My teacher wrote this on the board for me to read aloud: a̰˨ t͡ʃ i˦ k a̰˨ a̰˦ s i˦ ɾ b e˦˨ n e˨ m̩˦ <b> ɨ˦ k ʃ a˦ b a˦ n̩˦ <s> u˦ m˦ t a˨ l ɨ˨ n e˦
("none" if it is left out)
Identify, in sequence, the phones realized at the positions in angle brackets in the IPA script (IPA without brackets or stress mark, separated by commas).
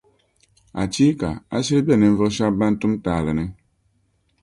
v, t